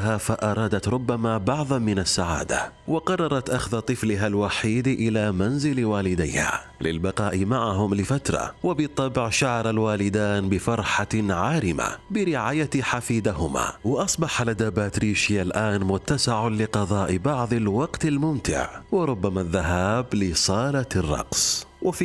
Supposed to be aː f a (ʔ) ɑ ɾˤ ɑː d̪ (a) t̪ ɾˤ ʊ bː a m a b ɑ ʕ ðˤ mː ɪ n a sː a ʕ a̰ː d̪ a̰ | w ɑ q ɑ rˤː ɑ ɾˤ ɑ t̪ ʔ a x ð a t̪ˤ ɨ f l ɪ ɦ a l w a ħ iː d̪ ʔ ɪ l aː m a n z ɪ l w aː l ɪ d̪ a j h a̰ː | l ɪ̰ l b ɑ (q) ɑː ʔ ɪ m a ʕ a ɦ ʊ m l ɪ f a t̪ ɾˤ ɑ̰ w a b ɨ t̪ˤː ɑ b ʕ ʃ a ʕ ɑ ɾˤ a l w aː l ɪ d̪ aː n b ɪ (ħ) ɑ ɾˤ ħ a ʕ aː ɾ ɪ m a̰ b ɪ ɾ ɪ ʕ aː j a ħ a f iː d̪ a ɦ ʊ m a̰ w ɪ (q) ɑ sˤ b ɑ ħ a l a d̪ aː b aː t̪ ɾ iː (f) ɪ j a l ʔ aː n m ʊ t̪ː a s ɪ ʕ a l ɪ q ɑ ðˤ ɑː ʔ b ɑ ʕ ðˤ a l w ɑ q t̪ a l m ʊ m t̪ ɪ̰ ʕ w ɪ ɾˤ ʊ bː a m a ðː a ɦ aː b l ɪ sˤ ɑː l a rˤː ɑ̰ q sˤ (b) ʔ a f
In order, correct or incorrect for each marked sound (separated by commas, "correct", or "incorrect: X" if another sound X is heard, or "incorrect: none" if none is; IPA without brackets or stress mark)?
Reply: correct, correct, correct, incorrect: f, incorrect: ʔ, incorrect: ʃ, incorrect: w